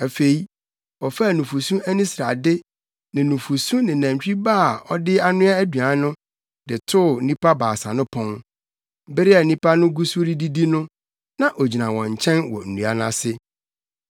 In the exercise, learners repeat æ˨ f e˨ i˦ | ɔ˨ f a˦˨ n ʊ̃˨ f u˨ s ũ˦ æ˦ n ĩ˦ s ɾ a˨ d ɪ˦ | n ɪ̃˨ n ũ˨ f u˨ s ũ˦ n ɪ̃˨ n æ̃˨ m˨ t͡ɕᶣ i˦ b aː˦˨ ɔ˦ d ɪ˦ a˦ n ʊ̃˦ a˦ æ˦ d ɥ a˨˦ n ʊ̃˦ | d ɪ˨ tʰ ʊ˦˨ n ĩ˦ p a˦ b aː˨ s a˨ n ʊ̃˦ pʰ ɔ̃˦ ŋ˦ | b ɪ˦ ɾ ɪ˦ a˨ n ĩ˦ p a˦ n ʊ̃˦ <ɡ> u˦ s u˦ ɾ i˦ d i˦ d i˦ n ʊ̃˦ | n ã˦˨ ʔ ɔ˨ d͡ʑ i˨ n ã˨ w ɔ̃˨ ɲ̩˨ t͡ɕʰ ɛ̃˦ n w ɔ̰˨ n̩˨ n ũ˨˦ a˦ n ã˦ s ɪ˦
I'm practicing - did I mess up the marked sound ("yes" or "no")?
no